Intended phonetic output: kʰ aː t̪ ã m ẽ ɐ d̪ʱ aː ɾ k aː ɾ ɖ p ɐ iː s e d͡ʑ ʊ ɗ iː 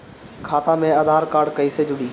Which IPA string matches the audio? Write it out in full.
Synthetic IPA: kʰ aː t̪ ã m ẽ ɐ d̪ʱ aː ɾ k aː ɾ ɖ k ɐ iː s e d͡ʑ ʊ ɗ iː